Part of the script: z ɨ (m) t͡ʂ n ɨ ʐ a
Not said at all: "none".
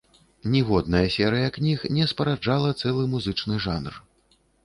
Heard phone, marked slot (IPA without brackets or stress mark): none